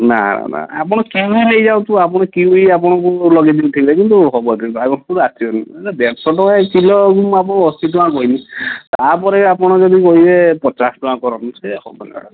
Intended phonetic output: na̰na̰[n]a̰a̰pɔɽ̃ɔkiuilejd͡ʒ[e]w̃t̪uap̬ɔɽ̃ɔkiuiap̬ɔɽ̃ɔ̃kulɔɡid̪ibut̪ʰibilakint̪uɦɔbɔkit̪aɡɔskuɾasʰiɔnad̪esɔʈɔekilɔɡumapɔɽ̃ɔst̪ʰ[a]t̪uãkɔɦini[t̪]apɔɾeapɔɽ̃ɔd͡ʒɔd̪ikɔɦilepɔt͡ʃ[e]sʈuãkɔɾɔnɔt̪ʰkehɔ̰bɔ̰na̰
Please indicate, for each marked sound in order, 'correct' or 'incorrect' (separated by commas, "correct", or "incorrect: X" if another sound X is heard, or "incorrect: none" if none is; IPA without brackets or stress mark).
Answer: correct, incorrect: a, incorrect: i, correct, incorrect: a